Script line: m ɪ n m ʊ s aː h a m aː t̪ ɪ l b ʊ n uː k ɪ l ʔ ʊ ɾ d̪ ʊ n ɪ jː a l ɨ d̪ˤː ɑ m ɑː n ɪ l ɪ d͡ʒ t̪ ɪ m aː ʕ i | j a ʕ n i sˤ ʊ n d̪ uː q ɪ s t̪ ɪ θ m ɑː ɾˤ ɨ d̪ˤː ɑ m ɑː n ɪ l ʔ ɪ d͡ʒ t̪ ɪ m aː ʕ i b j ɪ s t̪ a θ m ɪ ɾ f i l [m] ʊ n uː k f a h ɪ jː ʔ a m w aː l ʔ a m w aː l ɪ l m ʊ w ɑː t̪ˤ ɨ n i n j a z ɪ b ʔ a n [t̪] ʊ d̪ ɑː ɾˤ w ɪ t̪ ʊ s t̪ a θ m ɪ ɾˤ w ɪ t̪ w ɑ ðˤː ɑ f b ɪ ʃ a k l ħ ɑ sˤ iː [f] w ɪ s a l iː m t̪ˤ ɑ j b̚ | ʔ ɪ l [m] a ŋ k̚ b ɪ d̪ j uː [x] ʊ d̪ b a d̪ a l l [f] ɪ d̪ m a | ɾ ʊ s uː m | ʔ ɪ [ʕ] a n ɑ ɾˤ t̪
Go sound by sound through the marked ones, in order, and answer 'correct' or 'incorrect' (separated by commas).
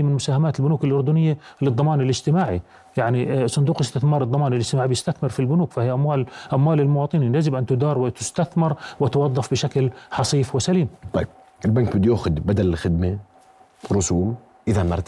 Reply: incorrect, correct, correct, incorrect, correct, incorrect, incorrect